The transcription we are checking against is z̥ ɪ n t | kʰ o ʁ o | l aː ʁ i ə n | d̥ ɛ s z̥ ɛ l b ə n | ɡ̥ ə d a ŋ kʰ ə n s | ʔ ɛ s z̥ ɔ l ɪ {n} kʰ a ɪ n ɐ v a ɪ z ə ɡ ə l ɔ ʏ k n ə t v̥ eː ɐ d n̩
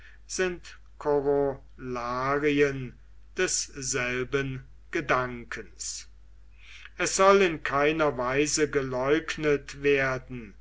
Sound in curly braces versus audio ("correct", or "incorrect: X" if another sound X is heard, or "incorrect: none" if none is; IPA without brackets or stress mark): correct